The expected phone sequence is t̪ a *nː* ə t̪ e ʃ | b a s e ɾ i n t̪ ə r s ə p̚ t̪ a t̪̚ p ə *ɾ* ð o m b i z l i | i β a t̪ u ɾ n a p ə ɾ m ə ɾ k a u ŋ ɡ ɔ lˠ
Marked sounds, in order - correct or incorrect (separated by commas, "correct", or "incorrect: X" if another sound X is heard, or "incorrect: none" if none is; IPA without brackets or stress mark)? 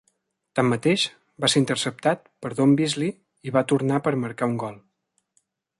incorrect: mː, correct